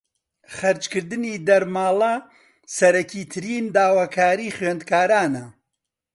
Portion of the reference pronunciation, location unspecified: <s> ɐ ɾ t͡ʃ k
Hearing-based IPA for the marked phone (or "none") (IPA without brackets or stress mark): χ